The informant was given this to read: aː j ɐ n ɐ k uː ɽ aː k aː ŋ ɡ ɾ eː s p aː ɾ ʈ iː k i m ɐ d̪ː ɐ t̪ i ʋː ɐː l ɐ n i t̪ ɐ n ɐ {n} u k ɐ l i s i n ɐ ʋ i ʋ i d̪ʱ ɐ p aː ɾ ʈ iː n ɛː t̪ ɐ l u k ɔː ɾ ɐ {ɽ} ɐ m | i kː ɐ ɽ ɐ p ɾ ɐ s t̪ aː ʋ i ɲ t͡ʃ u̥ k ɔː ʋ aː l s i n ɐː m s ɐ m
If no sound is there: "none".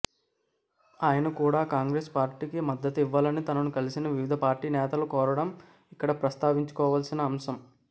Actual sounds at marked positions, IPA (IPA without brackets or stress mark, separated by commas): n, ɽ